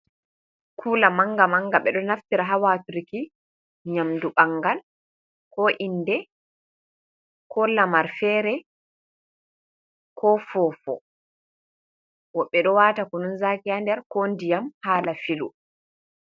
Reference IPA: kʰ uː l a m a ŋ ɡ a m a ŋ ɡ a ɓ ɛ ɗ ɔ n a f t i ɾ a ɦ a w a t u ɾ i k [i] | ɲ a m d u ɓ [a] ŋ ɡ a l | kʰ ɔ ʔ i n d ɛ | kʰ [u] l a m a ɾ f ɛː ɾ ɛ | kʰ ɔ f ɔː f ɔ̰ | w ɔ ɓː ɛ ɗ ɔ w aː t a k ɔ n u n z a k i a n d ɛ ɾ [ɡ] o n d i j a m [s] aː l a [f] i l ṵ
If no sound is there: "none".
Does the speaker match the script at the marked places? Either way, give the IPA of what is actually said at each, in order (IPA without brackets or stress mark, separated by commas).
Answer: i, a, ɔ, k, h, f